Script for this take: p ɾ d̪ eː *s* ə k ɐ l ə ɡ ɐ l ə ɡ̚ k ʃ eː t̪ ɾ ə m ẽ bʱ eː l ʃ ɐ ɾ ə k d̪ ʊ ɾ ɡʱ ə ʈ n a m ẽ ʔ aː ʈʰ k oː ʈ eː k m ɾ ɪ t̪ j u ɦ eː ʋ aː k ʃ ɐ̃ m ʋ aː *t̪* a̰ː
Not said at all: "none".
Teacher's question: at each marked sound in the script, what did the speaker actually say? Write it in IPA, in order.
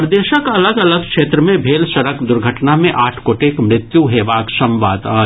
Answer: ʃ, d̪

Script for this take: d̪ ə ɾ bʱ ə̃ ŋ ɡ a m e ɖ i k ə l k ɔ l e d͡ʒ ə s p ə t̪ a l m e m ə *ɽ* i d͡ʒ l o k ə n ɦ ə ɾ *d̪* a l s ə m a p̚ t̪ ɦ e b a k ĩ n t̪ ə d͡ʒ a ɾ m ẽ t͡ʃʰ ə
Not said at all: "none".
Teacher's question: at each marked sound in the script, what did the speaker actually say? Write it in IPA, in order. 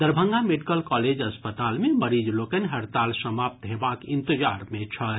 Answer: ɾ, t̪

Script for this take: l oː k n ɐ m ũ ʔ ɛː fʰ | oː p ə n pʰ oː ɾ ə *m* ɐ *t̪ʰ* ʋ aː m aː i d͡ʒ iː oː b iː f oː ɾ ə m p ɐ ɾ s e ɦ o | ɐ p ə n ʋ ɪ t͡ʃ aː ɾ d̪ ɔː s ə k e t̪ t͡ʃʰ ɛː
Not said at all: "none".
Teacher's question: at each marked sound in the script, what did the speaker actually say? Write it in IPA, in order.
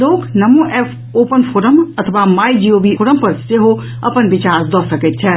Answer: m, t̪ʰ

